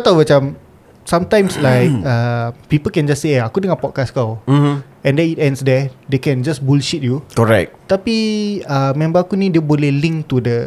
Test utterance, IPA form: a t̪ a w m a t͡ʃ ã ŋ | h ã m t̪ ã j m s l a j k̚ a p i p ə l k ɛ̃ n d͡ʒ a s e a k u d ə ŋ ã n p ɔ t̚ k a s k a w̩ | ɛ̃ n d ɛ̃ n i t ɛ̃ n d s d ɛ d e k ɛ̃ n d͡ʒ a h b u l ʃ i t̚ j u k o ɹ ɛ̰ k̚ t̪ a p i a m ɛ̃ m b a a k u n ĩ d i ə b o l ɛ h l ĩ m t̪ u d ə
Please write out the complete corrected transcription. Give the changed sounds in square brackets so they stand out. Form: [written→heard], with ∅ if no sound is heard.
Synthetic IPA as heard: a t̪ a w m a t͡ʃ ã [ŋ→m] | [h→s] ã m t̪ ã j m s l a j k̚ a p i p ə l k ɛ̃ n d͡ʒ a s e a k u d ə ŋ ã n p ɔ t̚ k a s k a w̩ | ɛ̃ n d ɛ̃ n i t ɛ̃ n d s d ɛ d e k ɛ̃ n d͡ʒ a [h→s] b u l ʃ i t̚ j u k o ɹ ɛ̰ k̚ t̪ a p i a m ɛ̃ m b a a k u n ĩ d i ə b o l ɛ h l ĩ [m→ŋ] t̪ u d ə